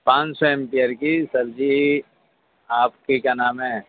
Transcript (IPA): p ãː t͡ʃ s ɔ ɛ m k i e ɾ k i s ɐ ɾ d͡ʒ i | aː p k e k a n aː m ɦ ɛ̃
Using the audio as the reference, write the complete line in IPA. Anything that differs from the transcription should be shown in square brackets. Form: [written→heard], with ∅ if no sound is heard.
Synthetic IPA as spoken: p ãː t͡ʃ s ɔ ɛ m [k→p] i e ɾ k i s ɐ ɾ d͡ʒ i | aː p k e k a n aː m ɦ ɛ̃